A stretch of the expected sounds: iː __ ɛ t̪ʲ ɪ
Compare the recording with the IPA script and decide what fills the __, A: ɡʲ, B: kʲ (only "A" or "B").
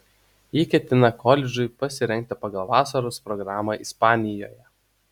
B